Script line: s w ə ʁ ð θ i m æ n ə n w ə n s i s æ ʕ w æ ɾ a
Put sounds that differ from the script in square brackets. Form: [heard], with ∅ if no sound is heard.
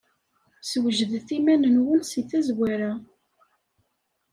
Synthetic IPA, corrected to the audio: s w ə [ʒ] ð θ i m æ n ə n w ə n s i [θ] æ [z] w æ ɾ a